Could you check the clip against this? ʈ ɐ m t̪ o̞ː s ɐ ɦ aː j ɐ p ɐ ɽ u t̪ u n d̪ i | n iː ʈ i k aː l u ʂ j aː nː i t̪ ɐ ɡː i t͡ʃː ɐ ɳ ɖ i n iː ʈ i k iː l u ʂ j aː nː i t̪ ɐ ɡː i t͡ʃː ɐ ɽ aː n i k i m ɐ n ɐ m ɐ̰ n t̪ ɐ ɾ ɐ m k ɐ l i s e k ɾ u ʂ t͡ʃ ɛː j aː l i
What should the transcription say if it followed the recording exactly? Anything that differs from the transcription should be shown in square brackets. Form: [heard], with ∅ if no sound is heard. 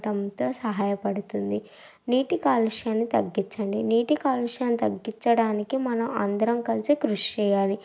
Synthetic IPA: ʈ ɐ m t̪ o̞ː s ɐ ɦ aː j ɐ p ɐ ɽ u t̪ u n d̪ i | n iː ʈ i k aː l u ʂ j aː nː i t̪ ɐ ɡː i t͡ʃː ɐ ɳ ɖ i n iː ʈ i k [aː] l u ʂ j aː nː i t̪ ɐ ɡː i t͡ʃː ɐ ɽ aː n i k i m ɐ n ɐ m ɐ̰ n [d̪] ɐ ɾ ɐ m k ɐ l i s [i] k ɾ u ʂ t͡ʃ ɛː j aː l i